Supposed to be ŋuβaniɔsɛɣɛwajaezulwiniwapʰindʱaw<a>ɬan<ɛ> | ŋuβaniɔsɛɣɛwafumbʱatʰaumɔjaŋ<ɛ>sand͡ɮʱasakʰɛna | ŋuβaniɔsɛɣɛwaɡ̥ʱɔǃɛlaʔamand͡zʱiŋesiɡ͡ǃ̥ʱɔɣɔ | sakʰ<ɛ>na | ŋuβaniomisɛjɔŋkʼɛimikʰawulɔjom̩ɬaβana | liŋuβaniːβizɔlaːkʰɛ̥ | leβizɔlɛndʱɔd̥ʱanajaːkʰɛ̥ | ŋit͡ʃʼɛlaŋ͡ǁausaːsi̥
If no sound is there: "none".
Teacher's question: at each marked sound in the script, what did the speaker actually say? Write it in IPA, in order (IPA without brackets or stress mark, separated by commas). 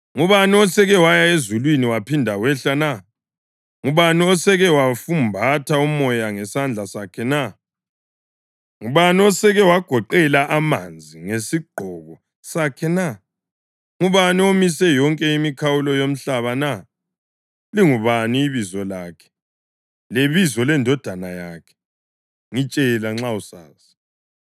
ɛ, a, ɛ, ɛ